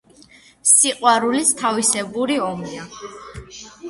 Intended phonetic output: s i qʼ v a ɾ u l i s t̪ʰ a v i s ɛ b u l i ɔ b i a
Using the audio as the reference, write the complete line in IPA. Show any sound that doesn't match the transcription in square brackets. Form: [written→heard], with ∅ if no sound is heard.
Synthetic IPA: s i qʼ [v→w] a ɾ u l i s t̪ʰ a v i s ɛ b u [l→ɾ] i ɔ [b→m] i a